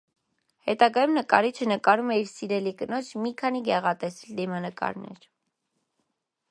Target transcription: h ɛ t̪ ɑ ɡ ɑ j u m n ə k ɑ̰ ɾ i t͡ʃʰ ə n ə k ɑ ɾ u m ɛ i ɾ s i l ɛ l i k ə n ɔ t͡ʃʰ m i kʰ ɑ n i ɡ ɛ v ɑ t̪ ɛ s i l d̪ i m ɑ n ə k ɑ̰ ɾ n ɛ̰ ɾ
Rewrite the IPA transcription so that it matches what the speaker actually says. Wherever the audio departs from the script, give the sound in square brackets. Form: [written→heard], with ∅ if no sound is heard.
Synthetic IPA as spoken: h ɛ t̪ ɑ ɡ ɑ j u m n ə k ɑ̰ ɾ i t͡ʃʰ ə n ə k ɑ ɾ u m ɛ i ɾ s i [l→ɾ] ɛ l i k ə n ɔ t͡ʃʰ m i kʰ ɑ n i ɡ ɛ [v→ʁ] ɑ t̪ ɛ s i l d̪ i m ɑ n ə k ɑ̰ ɾ n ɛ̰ ɾ

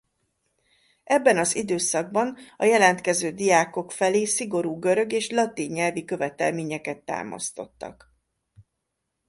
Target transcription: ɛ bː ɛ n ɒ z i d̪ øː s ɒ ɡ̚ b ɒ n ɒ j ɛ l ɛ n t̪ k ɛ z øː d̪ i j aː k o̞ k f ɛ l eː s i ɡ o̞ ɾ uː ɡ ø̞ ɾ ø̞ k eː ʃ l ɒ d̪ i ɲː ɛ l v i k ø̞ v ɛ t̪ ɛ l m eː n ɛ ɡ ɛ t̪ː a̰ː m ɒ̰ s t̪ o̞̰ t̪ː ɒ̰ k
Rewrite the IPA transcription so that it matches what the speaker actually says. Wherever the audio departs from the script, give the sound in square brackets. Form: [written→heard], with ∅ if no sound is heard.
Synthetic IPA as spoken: ɛ bː ɛ n ɒ z i d̪ øː s ɒ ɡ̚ b ɒ n ɒ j ɛ l ɛ n t̪ k ɛ z øː d̪ i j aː k o̞ k f ɛ l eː s i ɡ o̞ ɾ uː ɡ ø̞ ɾ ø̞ [k→ɡ] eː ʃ l ɒ [d̪→t̪] i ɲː ɛ l v i k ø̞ v ɛ t̪ ɛ l m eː [n→ɲ] ɛ [ɡ→k] ɛ t̪ː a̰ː m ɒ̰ s t̪ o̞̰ t̪ː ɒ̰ k

